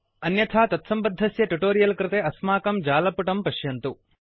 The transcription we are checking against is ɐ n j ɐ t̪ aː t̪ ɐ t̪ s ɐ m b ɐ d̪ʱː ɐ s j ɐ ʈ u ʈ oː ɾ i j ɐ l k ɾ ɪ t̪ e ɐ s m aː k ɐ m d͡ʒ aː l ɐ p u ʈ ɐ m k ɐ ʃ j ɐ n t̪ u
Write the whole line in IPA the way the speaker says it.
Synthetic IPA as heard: ɐ n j ɐ t̪ʰ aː t̪ ɐ t̪ s ɐ m b ɐ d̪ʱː ɐ s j ɐ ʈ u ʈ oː ɾ i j ɐ l k ɾ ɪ t̪ e ɐ s m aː k ɐ m d͡ʒ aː l ɐ p u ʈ ɐ m p ɐ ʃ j ɐ n t̪ u